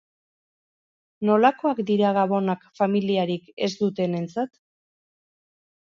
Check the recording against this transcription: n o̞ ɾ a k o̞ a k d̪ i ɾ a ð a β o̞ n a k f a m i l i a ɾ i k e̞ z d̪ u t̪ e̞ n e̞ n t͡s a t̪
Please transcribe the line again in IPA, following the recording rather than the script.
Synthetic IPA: n o̞ l a k o̞ a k d̪ i ɾ a ɣ a β o̞ n a k f a m i l i a ɾ i k e̞ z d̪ u t̪ e̞ n e̞ n t͡s a t̪

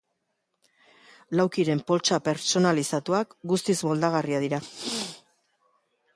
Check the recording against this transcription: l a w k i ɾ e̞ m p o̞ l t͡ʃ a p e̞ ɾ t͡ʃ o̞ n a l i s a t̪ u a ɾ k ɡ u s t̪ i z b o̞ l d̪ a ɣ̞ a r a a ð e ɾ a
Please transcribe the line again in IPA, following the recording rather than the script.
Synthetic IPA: l a w k i ɾ e̞ m p o̞ l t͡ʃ a p e̞ ɾ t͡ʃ o̞ n a l i s a t̪ u a k ɡ u s t̪ i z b o̞ l d̪ a ɣ̞ a r i a ð i ɾ a

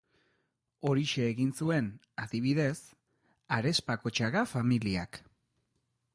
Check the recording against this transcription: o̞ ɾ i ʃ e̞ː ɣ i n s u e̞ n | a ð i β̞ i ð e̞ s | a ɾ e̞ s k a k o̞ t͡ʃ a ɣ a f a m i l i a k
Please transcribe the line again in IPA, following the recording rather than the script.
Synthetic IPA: o̞ ɾ i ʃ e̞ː ɣ i n s u e̞ n | a ð i β̞ i ð e̞ s | a ɾ e̞ s p a k o̞ t͡ʃ a ɣ a f a m i l i a k

